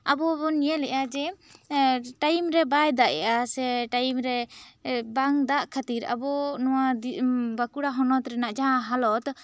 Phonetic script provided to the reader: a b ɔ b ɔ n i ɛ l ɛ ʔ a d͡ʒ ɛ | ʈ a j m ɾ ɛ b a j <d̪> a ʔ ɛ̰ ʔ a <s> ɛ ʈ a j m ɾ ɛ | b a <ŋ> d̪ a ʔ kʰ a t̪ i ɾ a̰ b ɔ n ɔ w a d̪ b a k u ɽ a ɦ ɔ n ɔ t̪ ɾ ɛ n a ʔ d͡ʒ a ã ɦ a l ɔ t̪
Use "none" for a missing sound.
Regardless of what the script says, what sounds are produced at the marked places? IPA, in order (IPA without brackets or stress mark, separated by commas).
d̪, s, ŋ